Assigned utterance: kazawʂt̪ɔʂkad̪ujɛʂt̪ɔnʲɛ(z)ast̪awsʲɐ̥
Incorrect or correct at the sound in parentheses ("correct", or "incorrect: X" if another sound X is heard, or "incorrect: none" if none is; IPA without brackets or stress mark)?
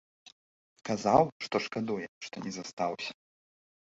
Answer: correct